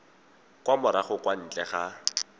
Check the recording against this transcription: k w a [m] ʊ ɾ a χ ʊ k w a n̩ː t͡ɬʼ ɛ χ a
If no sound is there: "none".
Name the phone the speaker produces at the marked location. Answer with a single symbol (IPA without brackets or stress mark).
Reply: m